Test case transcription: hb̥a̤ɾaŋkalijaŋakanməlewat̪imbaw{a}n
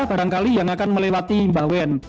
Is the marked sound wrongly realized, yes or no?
yes